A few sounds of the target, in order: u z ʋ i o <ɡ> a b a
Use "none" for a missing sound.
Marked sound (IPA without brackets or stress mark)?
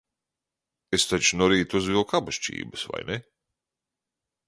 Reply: k